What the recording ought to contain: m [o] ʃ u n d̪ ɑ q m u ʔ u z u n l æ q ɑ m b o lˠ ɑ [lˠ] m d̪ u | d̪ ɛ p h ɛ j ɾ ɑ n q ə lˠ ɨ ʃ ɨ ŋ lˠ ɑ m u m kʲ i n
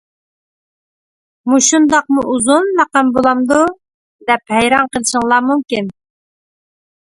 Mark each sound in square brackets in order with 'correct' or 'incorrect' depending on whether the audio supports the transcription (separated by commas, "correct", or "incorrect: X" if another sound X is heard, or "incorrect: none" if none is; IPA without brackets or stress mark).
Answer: incorrect: u, incorrect: none